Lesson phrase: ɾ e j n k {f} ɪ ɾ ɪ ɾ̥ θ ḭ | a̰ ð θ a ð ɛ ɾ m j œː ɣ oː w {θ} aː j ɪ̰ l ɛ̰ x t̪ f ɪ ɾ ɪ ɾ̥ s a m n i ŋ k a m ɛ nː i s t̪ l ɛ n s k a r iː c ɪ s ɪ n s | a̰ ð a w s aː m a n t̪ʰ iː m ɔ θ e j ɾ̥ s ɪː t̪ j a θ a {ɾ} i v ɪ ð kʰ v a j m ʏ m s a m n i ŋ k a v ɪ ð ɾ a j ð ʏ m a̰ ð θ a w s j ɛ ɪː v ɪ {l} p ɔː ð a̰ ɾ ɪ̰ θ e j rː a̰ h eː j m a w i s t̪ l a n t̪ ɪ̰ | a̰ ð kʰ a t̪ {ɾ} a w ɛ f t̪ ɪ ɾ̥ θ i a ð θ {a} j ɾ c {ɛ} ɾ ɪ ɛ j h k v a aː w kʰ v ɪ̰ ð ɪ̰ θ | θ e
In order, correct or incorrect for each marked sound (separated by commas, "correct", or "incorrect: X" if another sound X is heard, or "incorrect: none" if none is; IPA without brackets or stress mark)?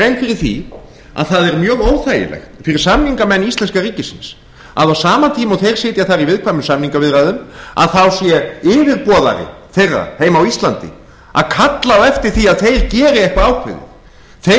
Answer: correct, correct, correct, incorrect: ɾ, incorrect: l, incorrect: e, incorrect: ɛː